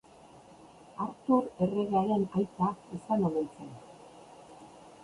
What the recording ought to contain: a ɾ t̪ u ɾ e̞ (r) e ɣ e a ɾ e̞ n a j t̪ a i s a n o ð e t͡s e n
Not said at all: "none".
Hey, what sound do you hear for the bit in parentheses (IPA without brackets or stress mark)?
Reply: r